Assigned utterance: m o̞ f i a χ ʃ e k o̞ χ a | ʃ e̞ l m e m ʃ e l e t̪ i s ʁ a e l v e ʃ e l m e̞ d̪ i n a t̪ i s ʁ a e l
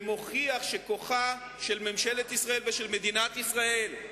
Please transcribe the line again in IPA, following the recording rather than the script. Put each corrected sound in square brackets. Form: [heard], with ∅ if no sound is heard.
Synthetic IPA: m o̞ [χ] i a χ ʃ e k o̞ χ a | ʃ e̞ l m e m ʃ e l e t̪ i s ʁ a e l v e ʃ e l m e̞ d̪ i n a t̪ i s ʁ a e l